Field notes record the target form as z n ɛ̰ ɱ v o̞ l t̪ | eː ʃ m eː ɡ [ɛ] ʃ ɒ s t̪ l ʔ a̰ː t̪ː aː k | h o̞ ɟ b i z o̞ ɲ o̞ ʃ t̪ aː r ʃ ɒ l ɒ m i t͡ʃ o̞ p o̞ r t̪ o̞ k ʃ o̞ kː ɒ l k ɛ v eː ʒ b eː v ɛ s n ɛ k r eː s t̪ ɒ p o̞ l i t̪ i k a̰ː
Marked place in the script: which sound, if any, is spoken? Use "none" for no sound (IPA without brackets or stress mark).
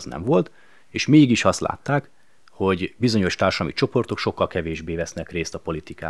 i